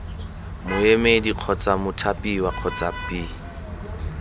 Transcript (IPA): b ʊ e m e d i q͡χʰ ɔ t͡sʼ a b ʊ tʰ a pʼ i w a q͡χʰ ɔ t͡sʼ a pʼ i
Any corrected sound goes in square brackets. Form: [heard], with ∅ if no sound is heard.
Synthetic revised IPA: [m] ʊ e m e d i q͡χʰ ɔ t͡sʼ a [m] ʊ tʰ a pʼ i w a q͡χʰ ɔ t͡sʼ a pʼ i